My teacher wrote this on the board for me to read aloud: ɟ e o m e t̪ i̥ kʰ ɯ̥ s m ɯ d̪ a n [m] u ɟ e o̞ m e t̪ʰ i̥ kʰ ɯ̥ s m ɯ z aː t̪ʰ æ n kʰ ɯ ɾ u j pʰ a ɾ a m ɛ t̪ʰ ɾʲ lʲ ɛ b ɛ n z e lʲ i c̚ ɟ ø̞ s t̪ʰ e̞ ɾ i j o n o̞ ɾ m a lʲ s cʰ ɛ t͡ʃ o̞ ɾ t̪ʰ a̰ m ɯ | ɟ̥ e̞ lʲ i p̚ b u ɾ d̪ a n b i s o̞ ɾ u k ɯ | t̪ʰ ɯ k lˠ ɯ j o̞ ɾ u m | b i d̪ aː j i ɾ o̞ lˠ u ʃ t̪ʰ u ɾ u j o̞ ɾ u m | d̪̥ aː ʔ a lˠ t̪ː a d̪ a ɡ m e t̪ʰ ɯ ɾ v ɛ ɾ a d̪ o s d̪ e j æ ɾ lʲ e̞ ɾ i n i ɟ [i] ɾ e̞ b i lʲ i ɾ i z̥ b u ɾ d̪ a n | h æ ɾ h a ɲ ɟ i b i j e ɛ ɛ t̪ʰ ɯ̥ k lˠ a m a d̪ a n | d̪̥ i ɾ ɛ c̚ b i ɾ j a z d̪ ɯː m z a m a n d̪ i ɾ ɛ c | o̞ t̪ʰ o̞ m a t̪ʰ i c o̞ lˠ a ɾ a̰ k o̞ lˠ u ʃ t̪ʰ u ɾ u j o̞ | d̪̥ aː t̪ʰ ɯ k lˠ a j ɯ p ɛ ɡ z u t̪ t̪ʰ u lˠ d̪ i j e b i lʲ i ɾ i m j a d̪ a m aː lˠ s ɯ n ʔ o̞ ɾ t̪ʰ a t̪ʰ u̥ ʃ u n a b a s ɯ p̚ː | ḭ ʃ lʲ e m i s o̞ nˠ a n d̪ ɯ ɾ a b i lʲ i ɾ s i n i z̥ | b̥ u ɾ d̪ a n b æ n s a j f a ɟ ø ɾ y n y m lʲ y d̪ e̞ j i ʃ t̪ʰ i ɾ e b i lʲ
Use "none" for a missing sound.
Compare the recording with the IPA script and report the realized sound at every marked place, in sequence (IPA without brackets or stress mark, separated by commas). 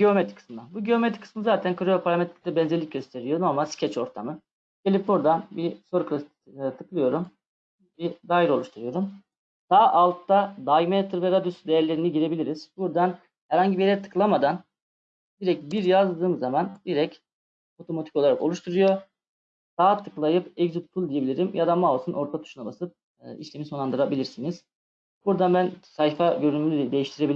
b, i